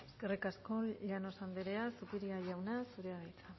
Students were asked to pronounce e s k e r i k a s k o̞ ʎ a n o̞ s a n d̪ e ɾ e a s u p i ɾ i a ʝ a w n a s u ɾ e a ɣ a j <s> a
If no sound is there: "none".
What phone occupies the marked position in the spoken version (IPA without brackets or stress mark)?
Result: t͡s